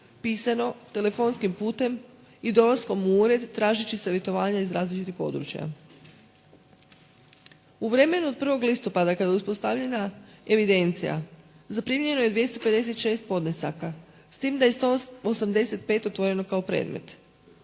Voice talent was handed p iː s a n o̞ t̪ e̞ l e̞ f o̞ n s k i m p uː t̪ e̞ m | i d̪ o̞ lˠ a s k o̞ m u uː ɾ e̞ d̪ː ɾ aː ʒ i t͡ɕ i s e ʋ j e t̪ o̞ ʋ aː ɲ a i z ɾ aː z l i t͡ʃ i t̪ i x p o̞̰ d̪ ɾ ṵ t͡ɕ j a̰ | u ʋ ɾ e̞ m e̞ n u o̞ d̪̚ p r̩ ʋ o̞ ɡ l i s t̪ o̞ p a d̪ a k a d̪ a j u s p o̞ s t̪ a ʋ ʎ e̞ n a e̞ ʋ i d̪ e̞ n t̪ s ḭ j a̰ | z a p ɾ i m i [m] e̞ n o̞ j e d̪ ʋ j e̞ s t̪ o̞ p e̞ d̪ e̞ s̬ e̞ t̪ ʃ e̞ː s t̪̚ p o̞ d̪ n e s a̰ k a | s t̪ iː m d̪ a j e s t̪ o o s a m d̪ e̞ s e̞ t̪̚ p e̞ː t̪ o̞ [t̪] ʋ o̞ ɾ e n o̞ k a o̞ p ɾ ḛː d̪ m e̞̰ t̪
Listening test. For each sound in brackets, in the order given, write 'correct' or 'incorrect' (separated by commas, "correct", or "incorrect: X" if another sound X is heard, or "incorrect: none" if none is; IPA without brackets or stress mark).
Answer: incorrect: ɲ, correct